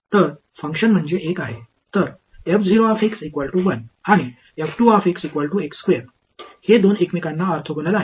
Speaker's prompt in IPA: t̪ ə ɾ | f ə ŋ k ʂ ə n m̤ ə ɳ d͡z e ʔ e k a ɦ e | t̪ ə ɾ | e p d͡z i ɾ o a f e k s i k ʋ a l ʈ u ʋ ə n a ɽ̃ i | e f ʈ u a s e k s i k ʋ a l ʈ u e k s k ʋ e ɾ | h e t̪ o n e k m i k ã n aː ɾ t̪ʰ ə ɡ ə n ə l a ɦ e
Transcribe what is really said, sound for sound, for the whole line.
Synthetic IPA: t̪ ə ɾ | f ə ŋ k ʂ ə n m̤ ə ɳ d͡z e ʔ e k a ɦ e | t̪ ə ɾ | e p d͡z i ɾ o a f e k s i k ʋ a l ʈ u ʋ ə n a ɽ̃ i | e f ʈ u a f e k s i k ʋ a l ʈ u e k s k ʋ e ɾ | h e d̪ o n e k m i k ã nː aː ɾ t̪ʰ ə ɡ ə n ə l a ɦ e